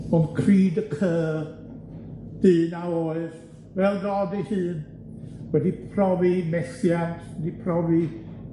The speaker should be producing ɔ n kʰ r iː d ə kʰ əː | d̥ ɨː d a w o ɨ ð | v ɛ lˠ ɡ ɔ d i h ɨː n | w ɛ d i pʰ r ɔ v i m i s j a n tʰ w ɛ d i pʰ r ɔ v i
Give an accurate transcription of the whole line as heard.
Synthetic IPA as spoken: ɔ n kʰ r iː d ə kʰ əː | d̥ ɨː n a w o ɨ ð | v ɛ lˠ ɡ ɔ d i h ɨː n | w ɛ d i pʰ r ɔ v i m ɛ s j a n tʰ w ɛ d i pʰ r ɔ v i